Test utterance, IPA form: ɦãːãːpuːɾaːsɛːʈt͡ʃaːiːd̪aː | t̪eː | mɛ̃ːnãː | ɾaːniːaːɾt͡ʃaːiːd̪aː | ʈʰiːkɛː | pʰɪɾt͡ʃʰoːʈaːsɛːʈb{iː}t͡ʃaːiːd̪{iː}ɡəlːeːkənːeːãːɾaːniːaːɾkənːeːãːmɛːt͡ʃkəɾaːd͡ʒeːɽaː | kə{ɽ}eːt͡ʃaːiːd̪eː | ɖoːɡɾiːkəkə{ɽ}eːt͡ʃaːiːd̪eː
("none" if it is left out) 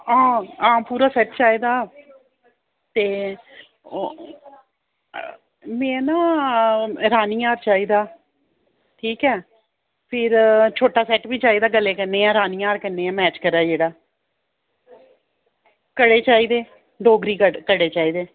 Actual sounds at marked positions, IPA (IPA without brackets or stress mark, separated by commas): iː, aː, ɽ, ɽ